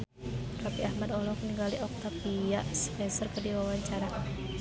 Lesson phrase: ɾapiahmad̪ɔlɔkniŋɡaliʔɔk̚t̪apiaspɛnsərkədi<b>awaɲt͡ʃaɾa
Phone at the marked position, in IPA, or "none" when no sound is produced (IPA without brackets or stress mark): w